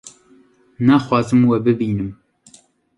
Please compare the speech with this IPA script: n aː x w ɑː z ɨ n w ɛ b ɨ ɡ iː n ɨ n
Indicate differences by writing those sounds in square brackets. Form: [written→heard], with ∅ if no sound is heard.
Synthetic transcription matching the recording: n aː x w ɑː z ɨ [n→m] w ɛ b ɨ [ɡ→b] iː n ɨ [n→m]